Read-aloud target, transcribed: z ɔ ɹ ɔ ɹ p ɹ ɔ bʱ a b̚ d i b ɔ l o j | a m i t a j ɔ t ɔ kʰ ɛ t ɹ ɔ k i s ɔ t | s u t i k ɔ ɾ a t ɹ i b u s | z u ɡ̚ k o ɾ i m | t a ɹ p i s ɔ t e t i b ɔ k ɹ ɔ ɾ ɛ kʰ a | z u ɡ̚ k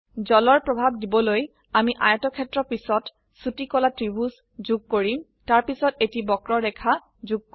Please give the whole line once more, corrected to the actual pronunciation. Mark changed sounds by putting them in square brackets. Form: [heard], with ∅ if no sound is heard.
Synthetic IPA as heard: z ɔ [l] ɔ ɹ p ɹ ɔ bʱ a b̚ d i b ɔ l o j | a m i [ʔ] a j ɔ t ɔ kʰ ɛ t ɹ ɔ [p] i s ɔ t | s u t i k ɔ [l] a t ɹ i b u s | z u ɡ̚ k o [ɹ] i m | t a ɹ p i s ɔ t e t i b ɔ k ɹ ɔ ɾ ɛ kʰ a | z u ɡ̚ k